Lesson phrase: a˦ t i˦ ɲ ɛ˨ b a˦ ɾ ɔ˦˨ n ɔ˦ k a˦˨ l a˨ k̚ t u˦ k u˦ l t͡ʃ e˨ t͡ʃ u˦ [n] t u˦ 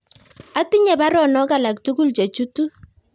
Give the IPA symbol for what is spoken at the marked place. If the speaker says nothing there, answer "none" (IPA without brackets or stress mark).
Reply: none